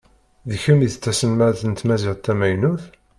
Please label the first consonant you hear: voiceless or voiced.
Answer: voiced